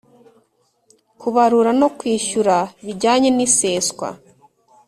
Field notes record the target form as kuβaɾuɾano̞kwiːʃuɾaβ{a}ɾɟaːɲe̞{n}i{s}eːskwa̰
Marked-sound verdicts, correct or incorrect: incorrect, correct, correct

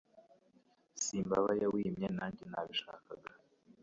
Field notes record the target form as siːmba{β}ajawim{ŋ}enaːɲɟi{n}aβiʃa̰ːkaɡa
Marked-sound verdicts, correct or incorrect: correct, incorrect, correct

